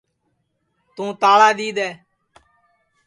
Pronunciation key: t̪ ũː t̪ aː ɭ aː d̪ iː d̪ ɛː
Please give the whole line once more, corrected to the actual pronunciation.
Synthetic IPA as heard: t̪ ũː t̪ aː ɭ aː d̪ iː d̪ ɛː